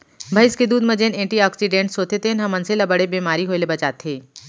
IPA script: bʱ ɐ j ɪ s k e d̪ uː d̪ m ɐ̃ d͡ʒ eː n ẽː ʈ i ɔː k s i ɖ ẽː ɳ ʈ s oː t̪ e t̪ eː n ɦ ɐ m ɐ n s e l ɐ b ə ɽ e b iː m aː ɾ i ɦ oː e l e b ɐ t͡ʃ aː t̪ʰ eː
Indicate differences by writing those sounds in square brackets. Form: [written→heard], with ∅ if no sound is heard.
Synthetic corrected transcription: bʱ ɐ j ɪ s k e d̪ uː d̪ m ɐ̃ d͡ʒ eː n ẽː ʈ i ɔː k s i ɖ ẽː ɳ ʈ s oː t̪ e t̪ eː n ɦ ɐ m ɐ n s e l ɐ b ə ɽ e b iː m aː ɾ i ɦ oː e l e b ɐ t͡ʃ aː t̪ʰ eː